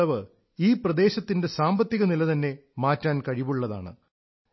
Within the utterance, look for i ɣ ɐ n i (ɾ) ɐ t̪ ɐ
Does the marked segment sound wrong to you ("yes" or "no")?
yes